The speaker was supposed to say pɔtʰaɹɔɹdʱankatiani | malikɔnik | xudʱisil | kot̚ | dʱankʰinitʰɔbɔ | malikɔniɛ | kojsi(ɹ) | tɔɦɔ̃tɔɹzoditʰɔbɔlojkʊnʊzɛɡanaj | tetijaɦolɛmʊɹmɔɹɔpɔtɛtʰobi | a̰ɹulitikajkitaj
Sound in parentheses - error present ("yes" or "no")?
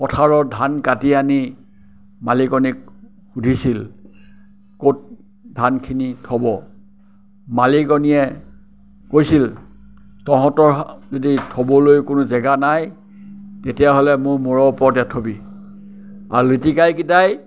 yes